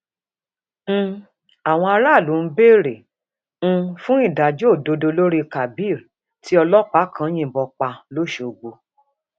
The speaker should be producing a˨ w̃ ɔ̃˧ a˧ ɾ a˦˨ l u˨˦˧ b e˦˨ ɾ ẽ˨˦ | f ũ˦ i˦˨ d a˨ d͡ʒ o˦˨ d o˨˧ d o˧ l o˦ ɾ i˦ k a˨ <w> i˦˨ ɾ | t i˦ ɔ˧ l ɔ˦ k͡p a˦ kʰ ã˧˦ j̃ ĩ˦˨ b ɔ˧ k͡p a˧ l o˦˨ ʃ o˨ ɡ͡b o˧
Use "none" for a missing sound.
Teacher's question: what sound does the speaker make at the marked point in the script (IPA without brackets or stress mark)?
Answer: b